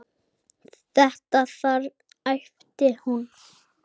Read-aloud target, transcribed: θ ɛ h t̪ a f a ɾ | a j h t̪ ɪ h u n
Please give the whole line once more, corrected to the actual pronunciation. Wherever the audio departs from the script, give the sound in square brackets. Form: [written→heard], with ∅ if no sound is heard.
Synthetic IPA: θ ɛ h t̪ a [f→θ] a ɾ | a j [h→f] t̪ ɪ h u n